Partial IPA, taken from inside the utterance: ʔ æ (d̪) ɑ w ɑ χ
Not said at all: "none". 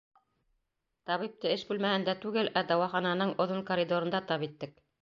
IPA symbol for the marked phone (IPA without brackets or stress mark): d̪